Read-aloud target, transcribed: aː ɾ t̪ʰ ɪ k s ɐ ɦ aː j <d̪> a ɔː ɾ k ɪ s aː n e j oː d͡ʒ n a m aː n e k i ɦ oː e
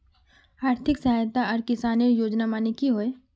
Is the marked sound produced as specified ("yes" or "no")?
no